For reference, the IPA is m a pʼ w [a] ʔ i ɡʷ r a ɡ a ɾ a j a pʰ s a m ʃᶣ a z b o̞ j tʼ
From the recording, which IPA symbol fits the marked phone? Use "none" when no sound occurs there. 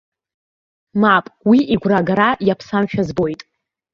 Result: i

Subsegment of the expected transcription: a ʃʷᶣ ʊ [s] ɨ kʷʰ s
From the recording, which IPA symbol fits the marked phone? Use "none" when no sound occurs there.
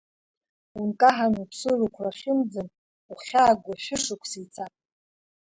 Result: ʂ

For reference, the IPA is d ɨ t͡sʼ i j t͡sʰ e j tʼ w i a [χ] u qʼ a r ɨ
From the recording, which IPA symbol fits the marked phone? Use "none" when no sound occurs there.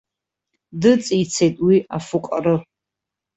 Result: f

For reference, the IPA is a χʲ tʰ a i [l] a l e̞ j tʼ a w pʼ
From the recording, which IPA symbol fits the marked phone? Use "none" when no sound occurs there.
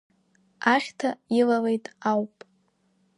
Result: l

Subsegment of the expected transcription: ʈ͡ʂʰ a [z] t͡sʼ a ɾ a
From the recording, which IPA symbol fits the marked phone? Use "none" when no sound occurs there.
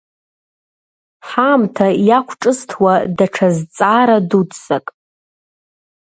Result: z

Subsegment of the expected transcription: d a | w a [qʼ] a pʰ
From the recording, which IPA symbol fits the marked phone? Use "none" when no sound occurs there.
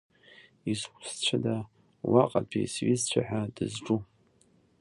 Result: qʼ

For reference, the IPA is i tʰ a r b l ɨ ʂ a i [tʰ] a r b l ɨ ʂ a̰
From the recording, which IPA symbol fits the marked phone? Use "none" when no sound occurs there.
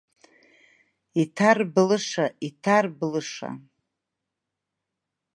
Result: tʰ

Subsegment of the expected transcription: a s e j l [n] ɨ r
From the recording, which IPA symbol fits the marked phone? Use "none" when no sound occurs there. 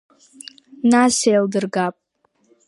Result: d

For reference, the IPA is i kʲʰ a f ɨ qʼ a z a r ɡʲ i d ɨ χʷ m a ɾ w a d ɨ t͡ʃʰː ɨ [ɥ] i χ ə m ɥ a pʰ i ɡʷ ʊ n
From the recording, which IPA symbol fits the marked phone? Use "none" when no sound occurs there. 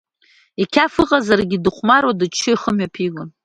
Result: none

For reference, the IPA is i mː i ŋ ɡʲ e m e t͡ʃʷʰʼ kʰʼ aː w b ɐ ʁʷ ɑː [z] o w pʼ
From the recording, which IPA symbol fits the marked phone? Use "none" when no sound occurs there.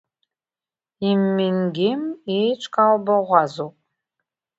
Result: z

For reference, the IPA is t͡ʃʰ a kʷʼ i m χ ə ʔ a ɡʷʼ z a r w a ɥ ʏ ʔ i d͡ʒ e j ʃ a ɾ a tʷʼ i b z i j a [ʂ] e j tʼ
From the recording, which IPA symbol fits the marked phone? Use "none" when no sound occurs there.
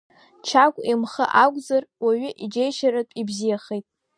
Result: χ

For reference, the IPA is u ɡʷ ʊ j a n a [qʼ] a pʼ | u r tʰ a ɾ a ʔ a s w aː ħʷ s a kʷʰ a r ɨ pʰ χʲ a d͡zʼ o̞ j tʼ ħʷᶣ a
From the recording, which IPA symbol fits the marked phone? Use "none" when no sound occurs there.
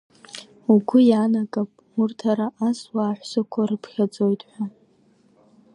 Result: kʼ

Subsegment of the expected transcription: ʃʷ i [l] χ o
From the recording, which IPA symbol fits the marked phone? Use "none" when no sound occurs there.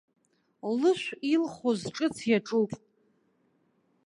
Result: l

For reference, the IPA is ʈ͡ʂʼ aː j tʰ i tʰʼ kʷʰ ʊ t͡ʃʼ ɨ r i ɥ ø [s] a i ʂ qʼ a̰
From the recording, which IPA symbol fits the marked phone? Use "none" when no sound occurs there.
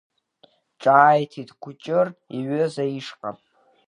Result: z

